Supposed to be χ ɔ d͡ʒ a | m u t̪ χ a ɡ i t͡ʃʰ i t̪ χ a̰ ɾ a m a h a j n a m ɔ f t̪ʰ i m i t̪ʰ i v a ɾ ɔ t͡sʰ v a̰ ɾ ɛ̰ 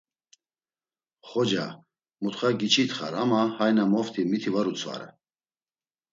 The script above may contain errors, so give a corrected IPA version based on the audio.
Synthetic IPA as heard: χ ɔ d͡ʒ a | m u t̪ χ a ɡ i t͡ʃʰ i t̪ χ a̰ ɾ a m a h a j n a m ɔ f t̪ʰ i m i t̪ʰ i v a ɾ u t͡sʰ v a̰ ɾ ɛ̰